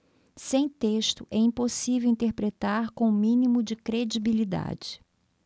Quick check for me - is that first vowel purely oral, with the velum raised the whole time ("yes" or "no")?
no